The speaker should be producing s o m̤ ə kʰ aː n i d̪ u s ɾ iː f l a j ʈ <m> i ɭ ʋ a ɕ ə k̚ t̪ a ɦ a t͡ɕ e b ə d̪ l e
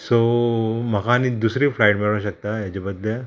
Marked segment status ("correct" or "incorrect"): correct